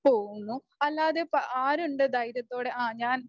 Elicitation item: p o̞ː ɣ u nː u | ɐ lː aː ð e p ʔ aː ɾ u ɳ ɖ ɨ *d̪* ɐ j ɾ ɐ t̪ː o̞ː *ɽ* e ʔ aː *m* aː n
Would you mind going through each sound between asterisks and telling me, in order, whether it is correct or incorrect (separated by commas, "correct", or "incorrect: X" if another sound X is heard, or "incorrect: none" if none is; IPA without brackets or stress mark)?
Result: correct, correct, incorrect: ɲ